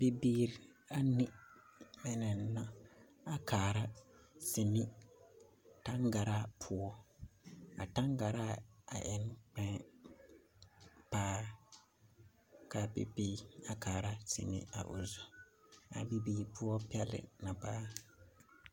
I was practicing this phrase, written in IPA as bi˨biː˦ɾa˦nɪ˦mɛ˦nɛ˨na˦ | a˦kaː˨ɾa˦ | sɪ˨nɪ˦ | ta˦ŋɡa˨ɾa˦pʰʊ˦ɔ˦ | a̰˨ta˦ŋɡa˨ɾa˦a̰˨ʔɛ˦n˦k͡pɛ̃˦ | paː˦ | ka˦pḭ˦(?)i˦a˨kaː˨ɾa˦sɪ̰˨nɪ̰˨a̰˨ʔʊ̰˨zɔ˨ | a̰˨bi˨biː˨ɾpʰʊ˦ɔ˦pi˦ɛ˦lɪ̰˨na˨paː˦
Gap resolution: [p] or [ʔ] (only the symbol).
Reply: p